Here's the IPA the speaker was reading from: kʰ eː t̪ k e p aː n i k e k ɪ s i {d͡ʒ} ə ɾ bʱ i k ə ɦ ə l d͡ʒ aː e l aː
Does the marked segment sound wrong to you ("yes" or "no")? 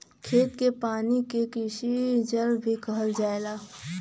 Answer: no